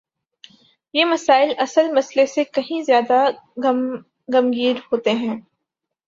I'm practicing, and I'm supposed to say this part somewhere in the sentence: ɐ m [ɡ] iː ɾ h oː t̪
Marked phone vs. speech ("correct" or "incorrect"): correct